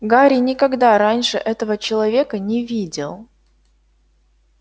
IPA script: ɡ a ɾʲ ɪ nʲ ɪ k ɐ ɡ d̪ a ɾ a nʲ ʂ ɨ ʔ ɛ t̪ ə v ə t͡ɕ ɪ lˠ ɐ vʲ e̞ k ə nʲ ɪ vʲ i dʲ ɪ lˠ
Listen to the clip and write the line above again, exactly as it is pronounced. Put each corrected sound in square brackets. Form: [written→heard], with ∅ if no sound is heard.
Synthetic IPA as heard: ɡ a ɾʲ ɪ nʲ ɪ k ɐ ɡ d̪ a ɾ a nʲ ʂ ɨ ʔ ɛ t̪ ə v ə t͡ɕ ɪ lˠ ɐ vʲ e̞ k ə nʲ ɪ vʲ i dʲ ɪ lˠ

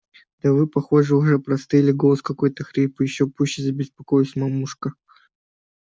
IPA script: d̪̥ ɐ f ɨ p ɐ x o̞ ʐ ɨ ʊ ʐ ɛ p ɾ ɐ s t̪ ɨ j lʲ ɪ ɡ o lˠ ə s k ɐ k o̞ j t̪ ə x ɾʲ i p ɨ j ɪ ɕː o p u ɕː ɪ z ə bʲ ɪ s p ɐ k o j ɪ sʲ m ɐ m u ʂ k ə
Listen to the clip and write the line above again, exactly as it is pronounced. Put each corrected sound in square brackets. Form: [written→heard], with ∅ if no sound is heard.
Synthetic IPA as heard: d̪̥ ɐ [f→v] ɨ p ɐ x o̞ ʐ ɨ ʊ ʐ ɛ p ɾ ɐ s t̪ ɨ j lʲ ɪ ɡ o lˠ ə s k ɐ k o̞ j t̪ ə x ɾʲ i p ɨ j ɪ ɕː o p u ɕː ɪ z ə bʲ ɪ s p ɐ k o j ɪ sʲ m ɐ m u ʂ k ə

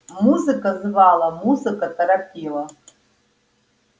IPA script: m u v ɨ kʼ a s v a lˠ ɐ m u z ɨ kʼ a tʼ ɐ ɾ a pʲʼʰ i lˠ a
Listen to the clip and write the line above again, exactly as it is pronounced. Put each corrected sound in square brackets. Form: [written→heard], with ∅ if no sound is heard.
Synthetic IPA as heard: m u [v→z] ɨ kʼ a [s→z] v a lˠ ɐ m u z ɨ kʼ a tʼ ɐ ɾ a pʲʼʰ i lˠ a

